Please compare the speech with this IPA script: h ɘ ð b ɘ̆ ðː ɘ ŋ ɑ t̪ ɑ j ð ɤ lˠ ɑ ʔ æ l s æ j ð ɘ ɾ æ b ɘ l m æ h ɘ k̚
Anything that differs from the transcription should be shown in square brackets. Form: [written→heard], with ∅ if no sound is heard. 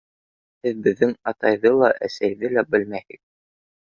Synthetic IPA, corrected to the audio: h ɘ ð b ɘ̆ ðː ɘ ŋ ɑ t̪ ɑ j ð ɤ lˠ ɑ ʔ æ [l→∅] s æ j ð ɘ [ɾ→l] æ b ɘ l m æ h ɘ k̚